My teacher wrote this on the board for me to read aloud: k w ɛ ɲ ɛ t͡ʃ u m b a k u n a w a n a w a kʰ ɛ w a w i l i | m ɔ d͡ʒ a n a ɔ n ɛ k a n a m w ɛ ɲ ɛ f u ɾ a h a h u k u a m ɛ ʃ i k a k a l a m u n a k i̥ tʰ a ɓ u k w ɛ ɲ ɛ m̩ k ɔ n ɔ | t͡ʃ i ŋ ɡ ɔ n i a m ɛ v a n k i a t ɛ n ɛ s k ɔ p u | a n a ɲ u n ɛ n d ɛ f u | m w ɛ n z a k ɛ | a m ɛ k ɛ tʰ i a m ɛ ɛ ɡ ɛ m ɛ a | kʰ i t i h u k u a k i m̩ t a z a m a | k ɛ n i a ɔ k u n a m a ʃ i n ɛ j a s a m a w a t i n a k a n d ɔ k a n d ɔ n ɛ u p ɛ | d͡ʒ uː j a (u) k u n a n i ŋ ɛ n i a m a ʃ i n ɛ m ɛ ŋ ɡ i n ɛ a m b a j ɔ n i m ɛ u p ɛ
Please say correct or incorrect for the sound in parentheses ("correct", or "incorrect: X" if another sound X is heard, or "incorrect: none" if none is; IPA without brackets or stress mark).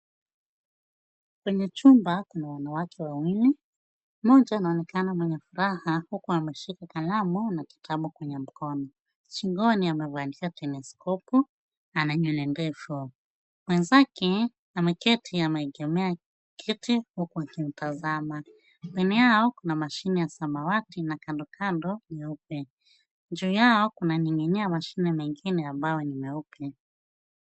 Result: incorrect: ɔ